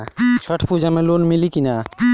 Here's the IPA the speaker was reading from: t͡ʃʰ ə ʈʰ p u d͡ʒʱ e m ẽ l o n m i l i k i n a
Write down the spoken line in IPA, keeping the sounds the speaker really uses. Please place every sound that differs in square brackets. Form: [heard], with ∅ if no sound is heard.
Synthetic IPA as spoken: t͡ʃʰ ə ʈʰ p u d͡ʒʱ [a] m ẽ l o n m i l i k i n a